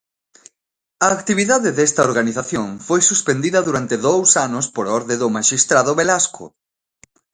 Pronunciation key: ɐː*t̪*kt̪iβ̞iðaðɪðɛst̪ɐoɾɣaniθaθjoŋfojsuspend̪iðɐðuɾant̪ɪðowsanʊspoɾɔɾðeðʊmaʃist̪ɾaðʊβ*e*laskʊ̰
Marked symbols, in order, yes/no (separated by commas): no, yes